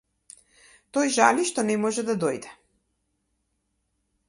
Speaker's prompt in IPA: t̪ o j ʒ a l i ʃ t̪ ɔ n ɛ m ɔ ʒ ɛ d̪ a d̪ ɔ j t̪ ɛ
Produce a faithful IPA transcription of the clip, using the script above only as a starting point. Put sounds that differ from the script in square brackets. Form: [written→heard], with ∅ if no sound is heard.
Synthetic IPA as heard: t̪ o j ʒ a l i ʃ t̪ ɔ n ɛ m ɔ ʒ ɛ d̪ a d̪ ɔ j [t̪→d̪] ɛ